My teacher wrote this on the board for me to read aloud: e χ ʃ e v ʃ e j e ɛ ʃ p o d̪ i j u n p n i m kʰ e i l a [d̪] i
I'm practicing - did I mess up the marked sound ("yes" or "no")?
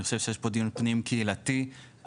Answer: yes